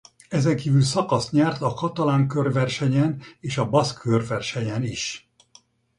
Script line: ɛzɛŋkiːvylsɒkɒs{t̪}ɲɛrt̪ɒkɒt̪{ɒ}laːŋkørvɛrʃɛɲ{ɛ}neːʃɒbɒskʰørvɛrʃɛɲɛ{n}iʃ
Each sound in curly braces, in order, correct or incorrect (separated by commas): correct, correct, correct, correct